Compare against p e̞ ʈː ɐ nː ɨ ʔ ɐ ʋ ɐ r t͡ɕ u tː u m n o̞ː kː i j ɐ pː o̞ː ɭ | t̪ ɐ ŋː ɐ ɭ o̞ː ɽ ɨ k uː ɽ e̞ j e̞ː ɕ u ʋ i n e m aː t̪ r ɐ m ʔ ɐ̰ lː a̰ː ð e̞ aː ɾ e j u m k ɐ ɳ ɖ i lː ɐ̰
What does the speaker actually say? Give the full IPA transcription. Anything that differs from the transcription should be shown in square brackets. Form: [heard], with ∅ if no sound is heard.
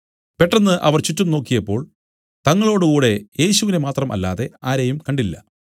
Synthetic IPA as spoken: p e̞ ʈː ɐ nː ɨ ʔ ɐ ʋ ɐ r t͡ɕ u tː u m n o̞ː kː i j ɐ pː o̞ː ɭ | t̪ ɐ ŋː ɐ ɭ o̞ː ɽ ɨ k uː ɽ e̞ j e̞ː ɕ u ʋ i n e m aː t̪ r ɐ m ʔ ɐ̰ lː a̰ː ð e̞ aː ɾ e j u m k ɐ ɳ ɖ i lː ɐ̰